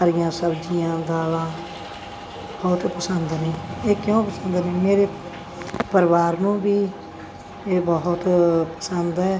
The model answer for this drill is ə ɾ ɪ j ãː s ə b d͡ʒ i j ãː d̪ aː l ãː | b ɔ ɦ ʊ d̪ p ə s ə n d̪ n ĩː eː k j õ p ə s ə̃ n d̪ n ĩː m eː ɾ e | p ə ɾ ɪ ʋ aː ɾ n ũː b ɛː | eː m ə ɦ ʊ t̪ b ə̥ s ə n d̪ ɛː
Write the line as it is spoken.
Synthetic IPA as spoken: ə ɾ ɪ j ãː s ə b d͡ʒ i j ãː d̪ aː l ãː | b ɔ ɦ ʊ t̪ p ə s ə n d̪ n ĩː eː k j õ p ə s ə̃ n d̪ n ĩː m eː ɾ e | p ə ɾ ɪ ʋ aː ɾ n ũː b iː | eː b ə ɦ ʊ t̪ p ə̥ s ə n d̪ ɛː